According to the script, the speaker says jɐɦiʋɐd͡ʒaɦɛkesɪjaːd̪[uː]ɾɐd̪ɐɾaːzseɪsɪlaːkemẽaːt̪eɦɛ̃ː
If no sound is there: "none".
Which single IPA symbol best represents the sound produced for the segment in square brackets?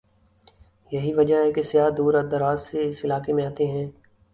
uː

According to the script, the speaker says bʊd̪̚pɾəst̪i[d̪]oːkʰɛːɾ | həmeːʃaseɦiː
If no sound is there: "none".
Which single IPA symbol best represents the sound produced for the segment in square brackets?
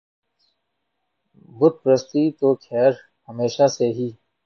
t̪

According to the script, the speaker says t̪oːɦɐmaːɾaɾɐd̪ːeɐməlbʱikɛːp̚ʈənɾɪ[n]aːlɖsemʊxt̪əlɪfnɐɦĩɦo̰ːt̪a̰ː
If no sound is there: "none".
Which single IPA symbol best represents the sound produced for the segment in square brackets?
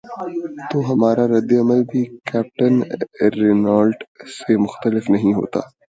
n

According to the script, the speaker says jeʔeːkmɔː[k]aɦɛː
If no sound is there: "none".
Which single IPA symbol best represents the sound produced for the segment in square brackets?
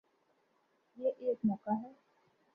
k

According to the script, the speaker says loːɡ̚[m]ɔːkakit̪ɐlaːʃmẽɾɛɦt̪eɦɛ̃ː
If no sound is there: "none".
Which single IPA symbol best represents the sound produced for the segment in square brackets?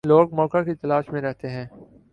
m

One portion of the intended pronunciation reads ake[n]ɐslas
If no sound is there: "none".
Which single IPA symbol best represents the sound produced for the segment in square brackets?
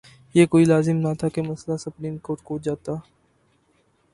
m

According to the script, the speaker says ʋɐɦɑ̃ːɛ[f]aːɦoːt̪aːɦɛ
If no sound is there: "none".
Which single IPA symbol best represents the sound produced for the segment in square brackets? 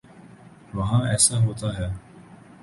s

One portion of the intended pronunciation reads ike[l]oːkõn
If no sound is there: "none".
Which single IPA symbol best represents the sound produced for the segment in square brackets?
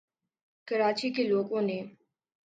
l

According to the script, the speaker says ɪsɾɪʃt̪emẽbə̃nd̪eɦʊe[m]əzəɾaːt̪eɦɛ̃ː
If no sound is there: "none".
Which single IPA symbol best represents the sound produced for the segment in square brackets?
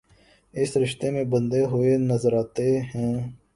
n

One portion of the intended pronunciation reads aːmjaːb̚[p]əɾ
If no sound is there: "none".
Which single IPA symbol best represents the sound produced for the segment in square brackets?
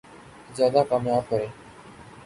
k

